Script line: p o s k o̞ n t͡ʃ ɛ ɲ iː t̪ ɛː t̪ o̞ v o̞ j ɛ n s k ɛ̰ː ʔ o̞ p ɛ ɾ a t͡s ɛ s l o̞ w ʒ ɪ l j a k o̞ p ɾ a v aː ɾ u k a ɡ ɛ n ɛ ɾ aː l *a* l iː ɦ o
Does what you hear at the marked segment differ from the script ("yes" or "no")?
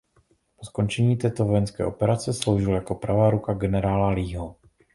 no